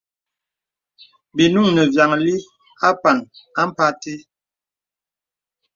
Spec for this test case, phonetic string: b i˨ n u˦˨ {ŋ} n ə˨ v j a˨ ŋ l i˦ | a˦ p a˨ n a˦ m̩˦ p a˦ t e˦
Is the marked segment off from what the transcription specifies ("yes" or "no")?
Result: no